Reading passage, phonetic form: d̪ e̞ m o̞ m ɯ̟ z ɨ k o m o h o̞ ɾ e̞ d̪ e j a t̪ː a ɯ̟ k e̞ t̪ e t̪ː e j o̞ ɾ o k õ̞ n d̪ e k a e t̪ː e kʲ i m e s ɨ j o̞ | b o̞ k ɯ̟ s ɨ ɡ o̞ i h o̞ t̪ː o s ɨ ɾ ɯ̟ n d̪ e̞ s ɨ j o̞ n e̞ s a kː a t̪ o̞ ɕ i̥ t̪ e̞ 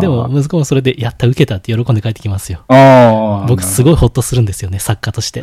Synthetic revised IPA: d̪ e̞ m o̞ m ɯ̟ z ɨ k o m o s o̞ ɾ e̞ d̪ e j a t̪ː a ɯ̟ k e̞ t̪ a t̪ː e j o̞ ɾ o k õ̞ n d̪ e k a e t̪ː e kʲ i m a s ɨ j o̞ | b o̞ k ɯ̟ s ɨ ɡ o̞ i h o̞ t̪ː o s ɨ ɾ ɯ̟ n d̪ e̞ s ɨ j o̞ n e̞ s a kː a t̪ o̞ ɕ i̥ t̪ e̞